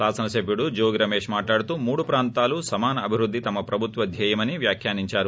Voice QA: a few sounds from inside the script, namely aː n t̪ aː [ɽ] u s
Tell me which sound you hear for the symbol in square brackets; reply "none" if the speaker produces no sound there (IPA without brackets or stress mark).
l